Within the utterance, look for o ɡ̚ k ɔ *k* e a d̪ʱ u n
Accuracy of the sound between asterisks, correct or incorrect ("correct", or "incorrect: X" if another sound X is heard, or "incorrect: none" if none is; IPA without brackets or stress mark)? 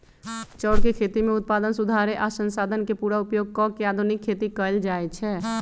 correct